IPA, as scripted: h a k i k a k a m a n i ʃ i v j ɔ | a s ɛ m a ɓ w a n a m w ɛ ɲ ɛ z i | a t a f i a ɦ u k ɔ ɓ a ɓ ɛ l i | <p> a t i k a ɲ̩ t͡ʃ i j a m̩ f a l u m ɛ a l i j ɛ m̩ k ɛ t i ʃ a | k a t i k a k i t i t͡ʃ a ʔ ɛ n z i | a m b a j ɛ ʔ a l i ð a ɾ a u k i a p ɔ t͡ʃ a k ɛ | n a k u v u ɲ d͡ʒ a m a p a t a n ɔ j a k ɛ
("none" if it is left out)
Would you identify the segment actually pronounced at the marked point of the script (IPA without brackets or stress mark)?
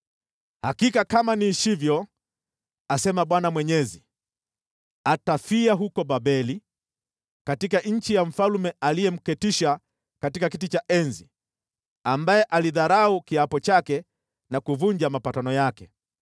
k